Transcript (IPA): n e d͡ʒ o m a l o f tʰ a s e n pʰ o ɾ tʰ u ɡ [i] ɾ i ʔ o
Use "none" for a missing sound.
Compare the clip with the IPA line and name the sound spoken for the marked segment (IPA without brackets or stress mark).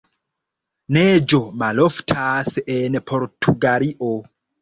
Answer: a